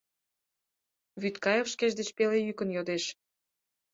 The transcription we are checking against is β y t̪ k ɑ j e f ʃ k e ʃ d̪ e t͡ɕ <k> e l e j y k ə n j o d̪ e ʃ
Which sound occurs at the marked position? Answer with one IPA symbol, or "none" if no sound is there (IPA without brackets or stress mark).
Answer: p